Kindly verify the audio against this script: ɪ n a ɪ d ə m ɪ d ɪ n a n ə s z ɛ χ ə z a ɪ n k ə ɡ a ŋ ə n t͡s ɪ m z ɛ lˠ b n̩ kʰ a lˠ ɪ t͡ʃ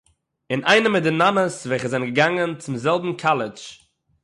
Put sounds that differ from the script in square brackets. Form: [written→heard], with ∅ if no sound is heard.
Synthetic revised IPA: ɪ n a ɪ [d→n] ə m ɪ d ɪ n a n ə s [z→v] ɛ χ ə z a ɪ n [k→ɡ] ə ɡ a ŋ ə n t͡s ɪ m z ɛ lˠ b [n̩→m̩] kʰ a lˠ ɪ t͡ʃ